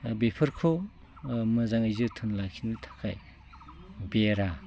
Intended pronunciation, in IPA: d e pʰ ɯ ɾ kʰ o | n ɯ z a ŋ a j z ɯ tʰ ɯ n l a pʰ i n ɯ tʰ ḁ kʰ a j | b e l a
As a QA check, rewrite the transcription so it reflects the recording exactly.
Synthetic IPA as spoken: b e pʰ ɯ ɾ kʰ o | m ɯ z a ŋ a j z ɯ tʰ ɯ n l a kʰ i n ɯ tʰ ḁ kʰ a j | b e ɾ a